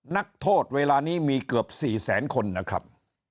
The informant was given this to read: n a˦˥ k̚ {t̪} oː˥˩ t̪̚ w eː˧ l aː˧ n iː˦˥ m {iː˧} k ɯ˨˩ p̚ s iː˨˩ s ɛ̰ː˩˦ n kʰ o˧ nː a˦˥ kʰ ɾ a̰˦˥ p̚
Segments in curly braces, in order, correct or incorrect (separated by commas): incorrect, correct